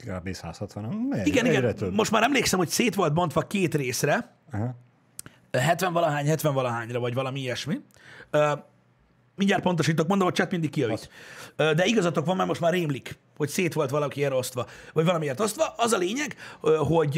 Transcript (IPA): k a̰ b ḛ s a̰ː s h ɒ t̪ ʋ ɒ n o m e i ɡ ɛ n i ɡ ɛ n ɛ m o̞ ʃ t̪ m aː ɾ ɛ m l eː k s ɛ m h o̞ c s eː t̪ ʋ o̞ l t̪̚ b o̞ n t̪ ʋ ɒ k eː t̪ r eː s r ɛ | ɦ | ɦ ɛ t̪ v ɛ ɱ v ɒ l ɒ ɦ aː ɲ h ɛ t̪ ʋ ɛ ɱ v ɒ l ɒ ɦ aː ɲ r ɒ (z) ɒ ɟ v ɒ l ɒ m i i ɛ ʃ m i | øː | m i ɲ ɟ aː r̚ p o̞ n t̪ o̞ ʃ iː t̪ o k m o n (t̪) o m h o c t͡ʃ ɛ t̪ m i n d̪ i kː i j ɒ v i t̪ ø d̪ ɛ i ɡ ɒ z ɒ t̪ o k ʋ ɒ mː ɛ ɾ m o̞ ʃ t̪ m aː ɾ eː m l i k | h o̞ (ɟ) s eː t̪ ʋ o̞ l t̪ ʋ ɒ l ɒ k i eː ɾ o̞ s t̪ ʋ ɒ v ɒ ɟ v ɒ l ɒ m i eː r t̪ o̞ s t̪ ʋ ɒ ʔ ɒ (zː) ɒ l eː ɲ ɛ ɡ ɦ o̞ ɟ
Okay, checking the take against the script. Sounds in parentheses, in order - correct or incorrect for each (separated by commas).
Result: incorrect, incorrect, incorrect, incorrect